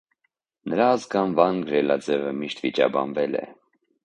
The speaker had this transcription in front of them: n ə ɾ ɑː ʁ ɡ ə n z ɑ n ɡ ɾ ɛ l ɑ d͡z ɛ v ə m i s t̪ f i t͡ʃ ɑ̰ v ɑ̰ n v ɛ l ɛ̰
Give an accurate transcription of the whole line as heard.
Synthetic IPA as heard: n ə ɾ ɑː z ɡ ɑ n v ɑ n ɡ ɾ ɛ l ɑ d͡z ɛ v ə m i ʃ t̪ v i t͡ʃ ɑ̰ b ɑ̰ n v ɛ l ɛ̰